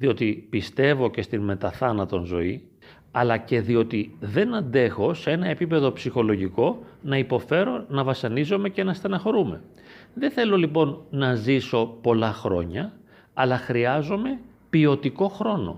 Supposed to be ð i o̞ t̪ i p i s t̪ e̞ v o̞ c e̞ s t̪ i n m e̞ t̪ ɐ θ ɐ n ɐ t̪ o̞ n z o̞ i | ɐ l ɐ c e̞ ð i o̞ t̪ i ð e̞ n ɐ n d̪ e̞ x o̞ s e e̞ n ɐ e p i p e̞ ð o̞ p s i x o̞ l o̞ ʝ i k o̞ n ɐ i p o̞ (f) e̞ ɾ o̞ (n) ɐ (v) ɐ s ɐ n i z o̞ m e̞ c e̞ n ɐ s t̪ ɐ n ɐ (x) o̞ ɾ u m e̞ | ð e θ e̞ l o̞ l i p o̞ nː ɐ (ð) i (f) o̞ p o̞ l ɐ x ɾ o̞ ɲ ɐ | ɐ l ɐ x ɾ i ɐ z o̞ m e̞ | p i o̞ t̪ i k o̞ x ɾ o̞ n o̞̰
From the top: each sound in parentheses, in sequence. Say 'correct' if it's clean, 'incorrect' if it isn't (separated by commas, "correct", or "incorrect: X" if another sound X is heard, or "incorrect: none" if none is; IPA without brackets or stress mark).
correct, correct, correct, correct, incorrect: z, incorrect: s